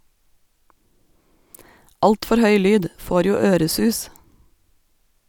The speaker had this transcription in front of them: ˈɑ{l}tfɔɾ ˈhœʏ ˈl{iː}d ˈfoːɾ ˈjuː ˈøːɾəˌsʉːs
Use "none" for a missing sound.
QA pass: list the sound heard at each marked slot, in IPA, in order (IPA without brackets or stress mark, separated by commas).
l, yː